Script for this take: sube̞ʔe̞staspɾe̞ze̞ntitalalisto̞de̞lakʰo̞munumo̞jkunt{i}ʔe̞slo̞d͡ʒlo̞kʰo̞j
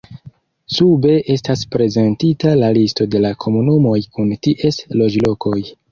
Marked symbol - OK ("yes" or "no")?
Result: yes